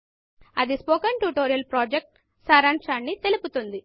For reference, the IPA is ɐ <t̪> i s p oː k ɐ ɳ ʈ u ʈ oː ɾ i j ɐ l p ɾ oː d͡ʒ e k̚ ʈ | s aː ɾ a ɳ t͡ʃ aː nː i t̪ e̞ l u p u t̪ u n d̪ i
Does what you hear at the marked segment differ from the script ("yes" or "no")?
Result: yes